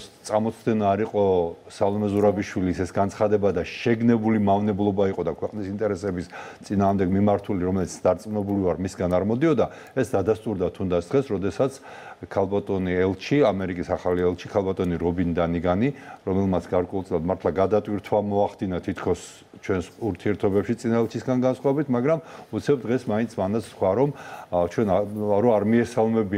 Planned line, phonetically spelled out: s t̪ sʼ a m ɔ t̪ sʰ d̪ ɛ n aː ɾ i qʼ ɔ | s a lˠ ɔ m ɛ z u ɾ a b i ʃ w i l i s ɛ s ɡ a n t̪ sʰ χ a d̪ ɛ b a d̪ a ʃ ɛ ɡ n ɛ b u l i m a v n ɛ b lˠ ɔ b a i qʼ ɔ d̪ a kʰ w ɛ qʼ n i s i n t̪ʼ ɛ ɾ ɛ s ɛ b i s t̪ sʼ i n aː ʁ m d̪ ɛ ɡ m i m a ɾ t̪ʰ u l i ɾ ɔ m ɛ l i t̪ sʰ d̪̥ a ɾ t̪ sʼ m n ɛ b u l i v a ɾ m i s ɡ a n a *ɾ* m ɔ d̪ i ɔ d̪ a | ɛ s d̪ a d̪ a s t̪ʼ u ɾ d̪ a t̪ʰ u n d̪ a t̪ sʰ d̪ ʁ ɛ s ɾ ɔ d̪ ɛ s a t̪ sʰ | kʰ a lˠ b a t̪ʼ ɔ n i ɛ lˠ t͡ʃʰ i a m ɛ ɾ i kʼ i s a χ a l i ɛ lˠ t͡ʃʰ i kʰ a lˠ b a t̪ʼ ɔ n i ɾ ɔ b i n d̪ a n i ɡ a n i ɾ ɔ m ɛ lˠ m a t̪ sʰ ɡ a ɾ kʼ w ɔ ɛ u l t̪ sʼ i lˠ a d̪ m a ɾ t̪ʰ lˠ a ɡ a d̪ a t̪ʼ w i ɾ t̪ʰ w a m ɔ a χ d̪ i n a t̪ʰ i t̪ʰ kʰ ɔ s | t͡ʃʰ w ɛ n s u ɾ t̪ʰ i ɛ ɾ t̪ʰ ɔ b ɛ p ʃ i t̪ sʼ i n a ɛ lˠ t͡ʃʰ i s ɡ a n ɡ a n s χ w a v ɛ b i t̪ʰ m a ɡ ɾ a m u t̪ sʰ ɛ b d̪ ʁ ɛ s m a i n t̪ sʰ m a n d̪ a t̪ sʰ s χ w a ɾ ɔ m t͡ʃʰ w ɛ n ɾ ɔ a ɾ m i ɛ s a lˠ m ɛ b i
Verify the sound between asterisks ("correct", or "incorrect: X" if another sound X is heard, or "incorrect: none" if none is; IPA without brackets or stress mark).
correct